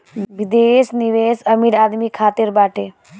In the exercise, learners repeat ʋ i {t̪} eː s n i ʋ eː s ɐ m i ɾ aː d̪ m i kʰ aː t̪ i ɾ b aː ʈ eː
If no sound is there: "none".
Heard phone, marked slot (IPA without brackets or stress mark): d̪